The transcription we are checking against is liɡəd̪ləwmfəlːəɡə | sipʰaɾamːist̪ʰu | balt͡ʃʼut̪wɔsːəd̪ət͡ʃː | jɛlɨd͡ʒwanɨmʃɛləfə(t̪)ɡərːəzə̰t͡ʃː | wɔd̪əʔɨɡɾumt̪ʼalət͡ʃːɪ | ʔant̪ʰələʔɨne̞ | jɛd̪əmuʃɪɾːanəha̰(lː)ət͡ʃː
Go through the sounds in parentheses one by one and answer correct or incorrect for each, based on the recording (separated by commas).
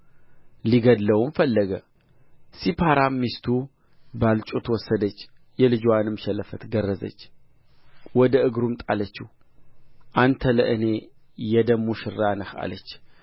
correct, incorrect